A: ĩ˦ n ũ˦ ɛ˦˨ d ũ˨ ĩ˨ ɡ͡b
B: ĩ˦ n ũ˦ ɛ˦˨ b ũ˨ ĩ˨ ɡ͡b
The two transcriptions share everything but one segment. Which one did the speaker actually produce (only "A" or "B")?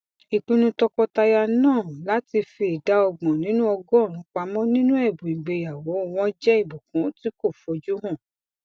B